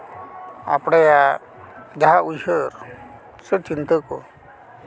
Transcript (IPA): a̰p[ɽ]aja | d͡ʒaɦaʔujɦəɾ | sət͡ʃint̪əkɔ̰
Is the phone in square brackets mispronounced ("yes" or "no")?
no